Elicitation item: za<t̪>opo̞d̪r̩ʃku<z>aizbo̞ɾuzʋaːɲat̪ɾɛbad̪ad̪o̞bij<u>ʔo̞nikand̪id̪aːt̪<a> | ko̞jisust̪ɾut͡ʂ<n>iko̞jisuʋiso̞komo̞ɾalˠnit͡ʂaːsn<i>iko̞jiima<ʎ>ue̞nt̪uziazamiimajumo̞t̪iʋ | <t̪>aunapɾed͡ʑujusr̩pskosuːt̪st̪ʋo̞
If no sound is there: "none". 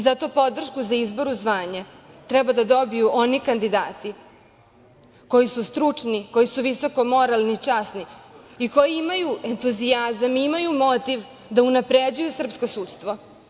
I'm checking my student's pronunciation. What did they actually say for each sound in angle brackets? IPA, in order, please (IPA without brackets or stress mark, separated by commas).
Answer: t̪, z, u, i, n, i, j, d̪